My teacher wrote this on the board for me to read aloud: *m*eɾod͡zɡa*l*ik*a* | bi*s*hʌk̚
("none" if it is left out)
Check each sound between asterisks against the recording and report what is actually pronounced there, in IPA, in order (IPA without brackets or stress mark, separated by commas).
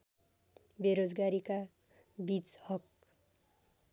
b, ɾ, a, t͡s